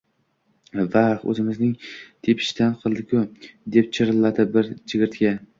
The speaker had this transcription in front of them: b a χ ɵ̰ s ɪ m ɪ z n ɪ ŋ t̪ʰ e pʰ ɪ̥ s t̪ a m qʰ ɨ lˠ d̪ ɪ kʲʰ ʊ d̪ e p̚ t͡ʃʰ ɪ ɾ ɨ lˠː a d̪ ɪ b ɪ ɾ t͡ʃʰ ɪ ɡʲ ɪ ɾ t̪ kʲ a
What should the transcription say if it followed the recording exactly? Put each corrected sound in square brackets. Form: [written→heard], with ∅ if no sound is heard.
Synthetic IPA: [b→v] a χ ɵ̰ [s→z] ɪ m ɪ z n ɪ ŋ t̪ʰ e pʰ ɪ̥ [s→ʃ] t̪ a [m→n] qʰ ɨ lˠ d̪ ɪ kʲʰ ʊ d̪ e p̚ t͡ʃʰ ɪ ɾ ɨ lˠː a d̪ ɪ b ɪ ɾ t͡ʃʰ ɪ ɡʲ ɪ ɾ t̪ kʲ a